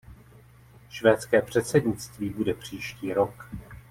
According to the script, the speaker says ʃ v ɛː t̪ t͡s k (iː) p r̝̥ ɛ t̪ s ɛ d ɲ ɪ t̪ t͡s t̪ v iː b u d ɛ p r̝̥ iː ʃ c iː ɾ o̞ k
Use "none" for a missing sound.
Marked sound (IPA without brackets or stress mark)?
ɛː